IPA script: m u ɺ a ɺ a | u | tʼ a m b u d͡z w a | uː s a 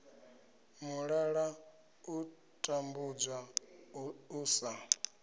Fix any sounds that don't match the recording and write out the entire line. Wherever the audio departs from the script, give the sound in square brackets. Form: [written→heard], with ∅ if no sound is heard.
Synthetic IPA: m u ɺ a ɺ a | u | tʼ a m b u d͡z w a | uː s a